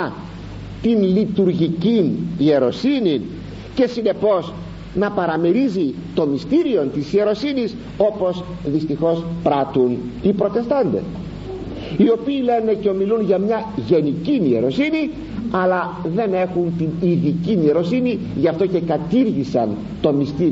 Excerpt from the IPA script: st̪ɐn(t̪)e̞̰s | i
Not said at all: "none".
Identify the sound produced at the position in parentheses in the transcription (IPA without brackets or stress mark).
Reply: d̪